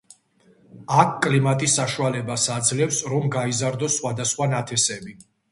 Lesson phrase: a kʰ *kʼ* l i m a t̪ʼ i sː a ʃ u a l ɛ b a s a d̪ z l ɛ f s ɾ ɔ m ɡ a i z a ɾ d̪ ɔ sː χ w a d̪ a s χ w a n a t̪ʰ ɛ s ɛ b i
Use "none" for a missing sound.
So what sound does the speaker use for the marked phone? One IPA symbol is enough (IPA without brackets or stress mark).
kʼ